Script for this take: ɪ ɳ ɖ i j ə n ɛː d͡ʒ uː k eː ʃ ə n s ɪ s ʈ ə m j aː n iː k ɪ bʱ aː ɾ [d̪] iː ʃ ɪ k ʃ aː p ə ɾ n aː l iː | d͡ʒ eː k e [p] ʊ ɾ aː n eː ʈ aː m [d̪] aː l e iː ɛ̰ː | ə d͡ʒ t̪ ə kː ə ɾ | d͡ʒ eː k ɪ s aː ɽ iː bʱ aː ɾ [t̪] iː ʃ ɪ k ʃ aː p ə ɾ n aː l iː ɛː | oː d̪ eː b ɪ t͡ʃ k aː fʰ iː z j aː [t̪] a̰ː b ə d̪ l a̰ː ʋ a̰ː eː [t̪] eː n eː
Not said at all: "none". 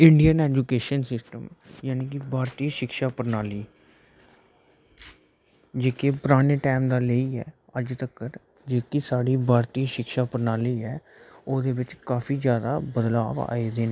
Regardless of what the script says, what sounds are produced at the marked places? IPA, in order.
t̪, p, d̪, t̪, d̪, d̪

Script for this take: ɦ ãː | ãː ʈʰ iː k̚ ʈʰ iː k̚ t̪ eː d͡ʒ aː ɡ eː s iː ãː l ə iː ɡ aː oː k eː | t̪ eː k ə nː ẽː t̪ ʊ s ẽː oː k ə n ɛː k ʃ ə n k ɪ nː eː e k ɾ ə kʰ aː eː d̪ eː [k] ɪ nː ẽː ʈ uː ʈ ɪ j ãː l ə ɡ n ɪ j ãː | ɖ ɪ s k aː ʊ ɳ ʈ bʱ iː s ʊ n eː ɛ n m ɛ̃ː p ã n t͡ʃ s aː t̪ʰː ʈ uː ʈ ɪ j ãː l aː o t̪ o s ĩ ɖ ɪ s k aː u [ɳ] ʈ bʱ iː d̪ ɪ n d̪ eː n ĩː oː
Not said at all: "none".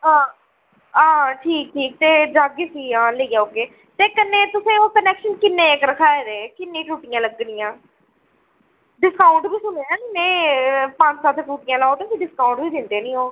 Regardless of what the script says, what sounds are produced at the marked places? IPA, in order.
k, ɳ

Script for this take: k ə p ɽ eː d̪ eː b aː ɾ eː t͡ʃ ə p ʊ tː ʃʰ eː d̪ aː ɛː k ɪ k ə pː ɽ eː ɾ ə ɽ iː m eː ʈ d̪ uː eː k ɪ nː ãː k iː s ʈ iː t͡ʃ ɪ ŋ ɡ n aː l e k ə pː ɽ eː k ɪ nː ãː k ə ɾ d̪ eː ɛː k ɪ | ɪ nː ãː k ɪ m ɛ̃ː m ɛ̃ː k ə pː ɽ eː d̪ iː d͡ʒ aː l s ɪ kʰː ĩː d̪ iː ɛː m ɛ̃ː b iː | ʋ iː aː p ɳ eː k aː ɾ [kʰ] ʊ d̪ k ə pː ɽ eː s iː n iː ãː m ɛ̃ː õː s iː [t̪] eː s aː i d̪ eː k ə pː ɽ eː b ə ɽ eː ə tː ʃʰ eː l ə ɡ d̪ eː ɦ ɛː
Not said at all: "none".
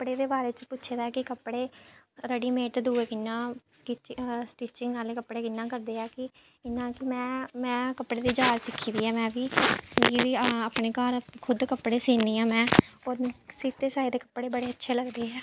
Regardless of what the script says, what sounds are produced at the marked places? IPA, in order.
kʰ, t̪

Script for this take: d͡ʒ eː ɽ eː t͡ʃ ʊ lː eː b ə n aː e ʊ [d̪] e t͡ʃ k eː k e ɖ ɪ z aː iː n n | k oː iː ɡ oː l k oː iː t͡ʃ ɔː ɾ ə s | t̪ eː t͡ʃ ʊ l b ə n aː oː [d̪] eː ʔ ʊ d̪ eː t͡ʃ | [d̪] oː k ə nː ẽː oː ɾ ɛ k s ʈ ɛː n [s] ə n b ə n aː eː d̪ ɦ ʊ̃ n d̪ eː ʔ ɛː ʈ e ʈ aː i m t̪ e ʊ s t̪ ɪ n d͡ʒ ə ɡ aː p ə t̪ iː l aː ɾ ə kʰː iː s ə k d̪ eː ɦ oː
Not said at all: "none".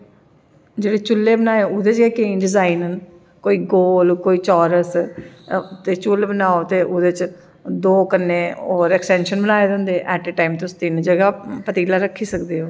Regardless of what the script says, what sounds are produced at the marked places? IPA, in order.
d̪, t̪, d̪, ʃ

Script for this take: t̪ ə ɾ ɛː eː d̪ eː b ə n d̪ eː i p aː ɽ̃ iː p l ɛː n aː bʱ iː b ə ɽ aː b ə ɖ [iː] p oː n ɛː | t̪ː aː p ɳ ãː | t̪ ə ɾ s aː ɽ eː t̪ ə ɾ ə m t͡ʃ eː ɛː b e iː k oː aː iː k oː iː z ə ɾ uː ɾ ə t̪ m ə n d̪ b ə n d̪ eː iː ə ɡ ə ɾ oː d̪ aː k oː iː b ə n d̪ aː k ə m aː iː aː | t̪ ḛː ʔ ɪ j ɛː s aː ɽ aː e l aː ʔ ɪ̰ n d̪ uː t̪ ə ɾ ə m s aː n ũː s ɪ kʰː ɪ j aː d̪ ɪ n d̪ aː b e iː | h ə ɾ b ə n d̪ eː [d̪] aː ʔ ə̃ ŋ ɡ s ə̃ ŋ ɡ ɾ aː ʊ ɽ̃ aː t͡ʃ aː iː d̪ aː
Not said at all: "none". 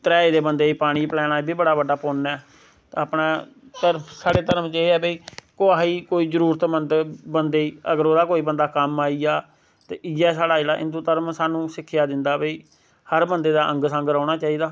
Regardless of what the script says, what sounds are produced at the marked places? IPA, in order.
aː, d̪

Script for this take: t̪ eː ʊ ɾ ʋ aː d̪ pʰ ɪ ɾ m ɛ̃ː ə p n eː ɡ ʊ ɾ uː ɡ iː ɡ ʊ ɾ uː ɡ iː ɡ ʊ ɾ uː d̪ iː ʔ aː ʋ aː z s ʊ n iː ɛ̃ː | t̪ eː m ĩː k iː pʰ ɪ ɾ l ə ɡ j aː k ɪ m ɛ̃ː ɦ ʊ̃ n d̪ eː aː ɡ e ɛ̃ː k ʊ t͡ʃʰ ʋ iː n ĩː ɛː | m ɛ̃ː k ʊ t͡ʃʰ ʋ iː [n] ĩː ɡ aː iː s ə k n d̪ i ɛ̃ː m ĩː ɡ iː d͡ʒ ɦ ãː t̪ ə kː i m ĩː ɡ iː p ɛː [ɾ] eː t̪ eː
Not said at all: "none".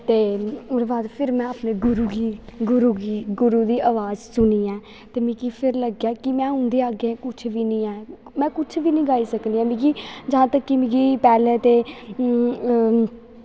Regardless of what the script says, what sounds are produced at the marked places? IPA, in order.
n, l

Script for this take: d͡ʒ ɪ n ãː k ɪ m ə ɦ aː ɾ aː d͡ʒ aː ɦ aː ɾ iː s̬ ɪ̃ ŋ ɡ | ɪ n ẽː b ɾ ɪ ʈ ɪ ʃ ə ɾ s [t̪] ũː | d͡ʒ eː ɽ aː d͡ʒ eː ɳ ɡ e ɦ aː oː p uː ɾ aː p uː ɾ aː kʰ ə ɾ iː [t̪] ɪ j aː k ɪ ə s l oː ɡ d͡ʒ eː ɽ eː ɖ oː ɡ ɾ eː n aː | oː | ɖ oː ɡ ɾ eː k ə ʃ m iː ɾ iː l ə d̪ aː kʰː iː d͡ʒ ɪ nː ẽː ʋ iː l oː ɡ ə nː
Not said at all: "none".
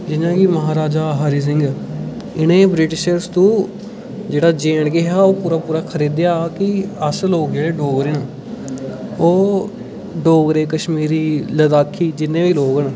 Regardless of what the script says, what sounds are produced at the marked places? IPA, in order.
t̪, d̪

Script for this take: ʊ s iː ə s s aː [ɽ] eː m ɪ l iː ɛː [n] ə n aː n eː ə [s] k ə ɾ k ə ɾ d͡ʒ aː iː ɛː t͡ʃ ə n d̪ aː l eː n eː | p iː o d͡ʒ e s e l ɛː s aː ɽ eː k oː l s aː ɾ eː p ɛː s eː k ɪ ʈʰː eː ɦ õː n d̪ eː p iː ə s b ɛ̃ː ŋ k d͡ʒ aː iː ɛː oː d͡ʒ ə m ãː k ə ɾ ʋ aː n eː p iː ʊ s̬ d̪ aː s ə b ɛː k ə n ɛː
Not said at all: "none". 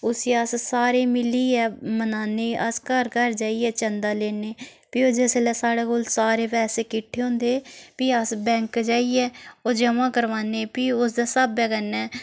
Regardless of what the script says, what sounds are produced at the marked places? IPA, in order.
ɾ, m, s

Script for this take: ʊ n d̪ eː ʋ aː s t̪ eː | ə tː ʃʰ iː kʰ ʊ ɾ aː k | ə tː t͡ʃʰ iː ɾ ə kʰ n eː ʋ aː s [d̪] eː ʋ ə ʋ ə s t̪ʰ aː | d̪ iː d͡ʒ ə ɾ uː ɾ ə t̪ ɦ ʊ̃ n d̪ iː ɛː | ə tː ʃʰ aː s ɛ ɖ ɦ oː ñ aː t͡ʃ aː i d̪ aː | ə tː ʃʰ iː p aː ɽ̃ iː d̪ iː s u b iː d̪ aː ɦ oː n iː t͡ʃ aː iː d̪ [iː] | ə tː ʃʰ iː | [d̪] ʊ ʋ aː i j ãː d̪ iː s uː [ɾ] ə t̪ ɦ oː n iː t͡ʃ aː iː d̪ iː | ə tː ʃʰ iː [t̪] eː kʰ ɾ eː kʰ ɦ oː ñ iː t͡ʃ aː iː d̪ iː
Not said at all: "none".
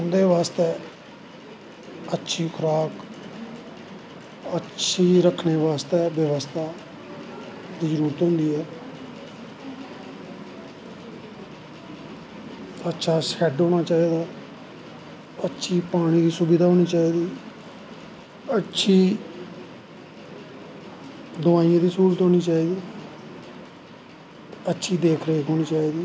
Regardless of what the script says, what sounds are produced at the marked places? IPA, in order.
t̪, iː, d̪, ɾ, d̪

